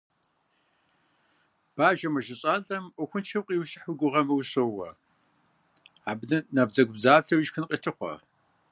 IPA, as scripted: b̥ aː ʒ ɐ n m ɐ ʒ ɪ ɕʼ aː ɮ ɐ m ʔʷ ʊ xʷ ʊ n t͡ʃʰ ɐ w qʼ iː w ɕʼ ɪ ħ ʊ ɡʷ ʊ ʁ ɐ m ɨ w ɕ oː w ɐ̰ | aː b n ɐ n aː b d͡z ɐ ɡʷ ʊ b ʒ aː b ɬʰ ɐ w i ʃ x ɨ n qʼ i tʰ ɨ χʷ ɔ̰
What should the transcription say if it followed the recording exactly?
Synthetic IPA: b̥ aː ʒ ɐ m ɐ ʒ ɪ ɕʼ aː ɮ ɐ m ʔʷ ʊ xʷ ʊ n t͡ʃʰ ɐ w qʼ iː w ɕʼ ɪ ħ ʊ ɡʷ ʊ ʁ ɐ m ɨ w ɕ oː w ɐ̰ | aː b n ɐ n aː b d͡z ɐ ɡʷ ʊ b z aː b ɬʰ ɐ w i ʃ x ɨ n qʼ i tʰ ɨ χʷ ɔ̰

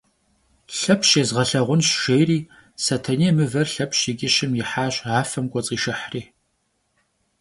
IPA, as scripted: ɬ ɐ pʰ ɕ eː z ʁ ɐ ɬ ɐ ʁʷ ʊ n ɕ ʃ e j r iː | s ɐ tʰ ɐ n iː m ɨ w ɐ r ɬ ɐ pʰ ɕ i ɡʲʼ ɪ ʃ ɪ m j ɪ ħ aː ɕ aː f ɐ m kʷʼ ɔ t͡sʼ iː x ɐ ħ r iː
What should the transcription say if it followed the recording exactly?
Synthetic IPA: ɬ ɐ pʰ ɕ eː z ʁ ɐ ɬ ɐ ʁʷ ʊ n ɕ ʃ e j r iː | s ɐ tʰ ɐ n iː m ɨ v ɐ r ɬ ɐ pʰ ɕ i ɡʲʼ ɪ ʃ ɪ m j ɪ ħ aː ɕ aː f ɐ m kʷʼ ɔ t͡sʼ iː ʃ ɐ ħ r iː

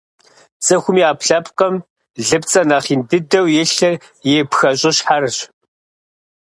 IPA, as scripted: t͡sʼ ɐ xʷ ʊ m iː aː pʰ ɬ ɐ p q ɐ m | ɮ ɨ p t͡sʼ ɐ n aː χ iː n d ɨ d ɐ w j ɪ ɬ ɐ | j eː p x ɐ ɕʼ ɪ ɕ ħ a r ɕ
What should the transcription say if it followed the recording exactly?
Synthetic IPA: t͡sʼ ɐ xʷ ʊ m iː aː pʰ ɬ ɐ p q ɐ m | ɮ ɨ p t͡sʼ ɐ n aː χ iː n d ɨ d ɐ w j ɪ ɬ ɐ | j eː p x ɐ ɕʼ ɪ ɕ ħ a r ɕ

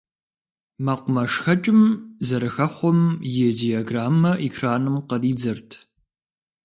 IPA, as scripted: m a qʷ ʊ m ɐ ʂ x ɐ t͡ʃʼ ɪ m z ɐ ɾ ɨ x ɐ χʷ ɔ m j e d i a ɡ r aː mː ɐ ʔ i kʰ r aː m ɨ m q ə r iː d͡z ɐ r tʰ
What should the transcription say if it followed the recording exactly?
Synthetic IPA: m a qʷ ʊ m ɐ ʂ x ɐ t͡ʃʼ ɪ m z ɐ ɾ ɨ x ɐ χʷ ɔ m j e d i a ɡ r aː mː ɐ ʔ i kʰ r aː n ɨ m q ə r iː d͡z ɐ r tʰ

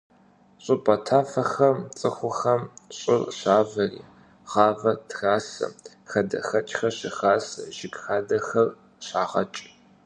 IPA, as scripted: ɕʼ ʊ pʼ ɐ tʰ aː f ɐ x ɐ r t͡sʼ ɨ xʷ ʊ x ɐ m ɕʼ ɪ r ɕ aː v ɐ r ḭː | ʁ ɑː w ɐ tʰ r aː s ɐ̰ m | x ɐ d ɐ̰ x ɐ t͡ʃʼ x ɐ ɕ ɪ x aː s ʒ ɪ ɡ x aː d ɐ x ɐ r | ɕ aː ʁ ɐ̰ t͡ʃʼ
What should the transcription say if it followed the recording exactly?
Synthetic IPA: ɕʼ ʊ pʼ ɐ tʰ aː f ɐ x ɐ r t͡sʼ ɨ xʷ ʊ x ɐ m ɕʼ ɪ r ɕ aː v ɐ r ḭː | ʁ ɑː v ɐ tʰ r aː s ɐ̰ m | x ɐ d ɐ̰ x ɐ t͡ʃʼ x ɐ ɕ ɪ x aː s ʒ ɪ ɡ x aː d ɐ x ɐ r | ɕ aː ʁ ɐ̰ t͡ʃʼ

